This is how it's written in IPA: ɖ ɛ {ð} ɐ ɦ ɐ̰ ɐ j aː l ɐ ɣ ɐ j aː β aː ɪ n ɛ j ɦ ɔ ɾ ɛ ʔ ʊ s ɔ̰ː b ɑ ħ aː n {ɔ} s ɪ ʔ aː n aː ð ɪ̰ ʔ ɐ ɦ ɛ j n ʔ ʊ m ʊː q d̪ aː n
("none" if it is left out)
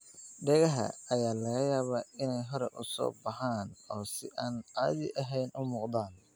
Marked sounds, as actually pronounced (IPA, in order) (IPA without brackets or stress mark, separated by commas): ɣ, ɔː